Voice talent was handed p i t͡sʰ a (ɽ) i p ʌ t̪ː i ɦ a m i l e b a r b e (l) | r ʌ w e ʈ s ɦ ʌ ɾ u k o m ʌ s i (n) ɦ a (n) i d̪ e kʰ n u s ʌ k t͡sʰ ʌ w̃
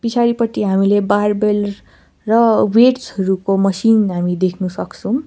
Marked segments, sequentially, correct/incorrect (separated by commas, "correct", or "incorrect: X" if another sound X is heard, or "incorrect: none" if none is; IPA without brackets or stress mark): incorrect: ɾ, correct, correct, incorrect: m